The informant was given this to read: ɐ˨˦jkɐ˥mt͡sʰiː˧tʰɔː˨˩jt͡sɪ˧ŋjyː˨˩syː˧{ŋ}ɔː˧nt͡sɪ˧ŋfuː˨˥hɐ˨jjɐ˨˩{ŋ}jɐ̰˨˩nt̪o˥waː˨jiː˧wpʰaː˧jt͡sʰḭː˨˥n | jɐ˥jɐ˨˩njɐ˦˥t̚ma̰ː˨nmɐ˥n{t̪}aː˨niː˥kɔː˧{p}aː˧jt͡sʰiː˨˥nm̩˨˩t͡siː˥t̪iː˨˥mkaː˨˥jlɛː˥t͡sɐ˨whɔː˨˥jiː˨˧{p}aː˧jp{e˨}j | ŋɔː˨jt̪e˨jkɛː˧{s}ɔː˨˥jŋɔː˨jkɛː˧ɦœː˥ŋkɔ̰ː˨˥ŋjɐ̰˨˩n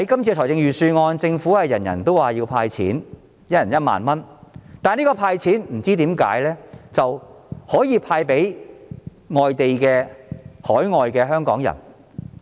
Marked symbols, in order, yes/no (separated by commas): yes, no, yes, no, no, no, no